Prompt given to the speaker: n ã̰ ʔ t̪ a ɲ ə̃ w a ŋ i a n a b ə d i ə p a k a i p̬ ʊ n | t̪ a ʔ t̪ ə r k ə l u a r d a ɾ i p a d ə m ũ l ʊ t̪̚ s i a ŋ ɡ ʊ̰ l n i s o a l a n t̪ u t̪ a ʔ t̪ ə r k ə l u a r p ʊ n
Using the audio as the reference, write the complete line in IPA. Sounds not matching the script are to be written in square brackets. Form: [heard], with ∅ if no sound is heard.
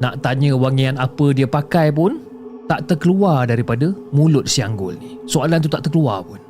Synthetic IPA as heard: n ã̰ ʔ t̪ a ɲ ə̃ w a ŋ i a n a [p] ə d i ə p a k a [j] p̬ ʊ n | t̪ a ʔ t̪ ə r k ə l u a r d a ɾ i p a d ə m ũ l ʊ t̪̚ s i a ŋ ɡ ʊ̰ l n i s o a l a n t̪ u t̪ a ʔ t̪ ə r k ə l u a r p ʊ n